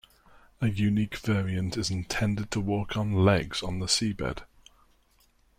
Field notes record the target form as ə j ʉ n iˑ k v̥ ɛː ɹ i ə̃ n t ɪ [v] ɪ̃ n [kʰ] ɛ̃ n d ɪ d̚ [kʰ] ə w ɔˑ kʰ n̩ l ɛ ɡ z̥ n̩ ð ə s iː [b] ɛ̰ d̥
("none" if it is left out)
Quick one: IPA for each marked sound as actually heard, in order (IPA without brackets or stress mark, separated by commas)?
z, tʰ, tʰ, b